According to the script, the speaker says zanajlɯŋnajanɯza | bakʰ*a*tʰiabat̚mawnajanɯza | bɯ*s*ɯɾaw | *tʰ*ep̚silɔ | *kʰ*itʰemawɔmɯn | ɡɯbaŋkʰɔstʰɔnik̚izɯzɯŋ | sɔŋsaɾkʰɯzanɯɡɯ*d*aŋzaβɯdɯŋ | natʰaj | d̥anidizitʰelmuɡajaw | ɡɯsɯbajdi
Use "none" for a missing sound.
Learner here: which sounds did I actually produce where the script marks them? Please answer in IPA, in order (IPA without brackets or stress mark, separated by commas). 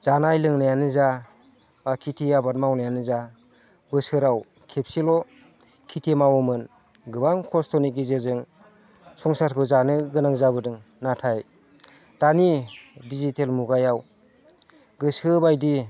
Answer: i, s, kʰ, kʰ, n